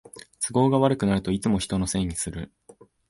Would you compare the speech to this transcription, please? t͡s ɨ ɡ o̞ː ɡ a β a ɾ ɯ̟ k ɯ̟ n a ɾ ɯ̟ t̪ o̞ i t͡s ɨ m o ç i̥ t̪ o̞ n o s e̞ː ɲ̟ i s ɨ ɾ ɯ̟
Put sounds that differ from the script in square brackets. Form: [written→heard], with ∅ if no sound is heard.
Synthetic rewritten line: t͡s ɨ ɡ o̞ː ɡ a β a ɾ ɯ̟ k ɯ̟ n a ɾ ɯ̟ t̪ o̞ i t͡s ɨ m o ç i̥ t̪ o̞ n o s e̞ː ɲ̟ i s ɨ ɾ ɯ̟